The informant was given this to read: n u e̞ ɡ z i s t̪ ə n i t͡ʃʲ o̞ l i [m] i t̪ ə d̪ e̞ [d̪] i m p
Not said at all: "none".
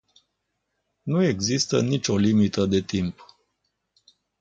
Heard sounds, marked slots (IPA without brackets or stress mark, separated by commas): m, t̪